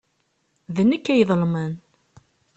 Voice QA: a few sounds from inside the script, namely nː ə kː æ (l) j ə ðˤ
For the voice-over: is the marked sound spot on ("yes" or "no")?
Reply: no